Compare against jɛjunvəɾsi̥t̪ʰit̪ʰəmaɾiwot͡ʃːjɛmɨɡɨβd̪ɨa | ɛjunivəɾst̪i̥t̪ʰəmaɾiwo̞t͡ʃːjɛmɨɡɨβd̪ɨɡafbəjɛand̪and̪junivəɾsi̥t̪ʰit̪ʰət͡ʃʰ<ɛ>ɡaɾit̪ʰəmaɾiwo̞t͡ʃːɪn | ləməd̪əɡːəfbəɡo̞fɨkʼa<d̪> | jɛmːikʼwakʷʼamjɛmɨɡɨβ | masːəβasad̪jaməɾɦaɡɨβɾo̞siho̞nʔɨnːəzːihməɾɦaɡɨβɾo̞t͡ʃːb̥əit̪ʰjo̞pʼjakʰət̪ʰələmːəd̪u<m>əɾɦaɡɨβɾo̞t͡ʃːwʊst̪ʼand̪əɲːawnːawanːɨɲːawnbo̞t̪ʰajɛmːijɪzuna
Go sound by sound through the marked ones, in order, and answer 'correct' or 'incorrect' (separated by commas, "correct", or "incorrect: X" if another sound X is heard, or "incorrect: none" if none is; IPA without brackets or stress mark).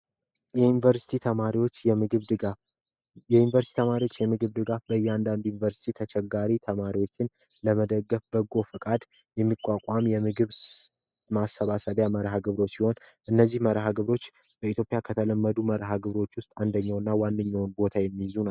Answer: correct, correct, correct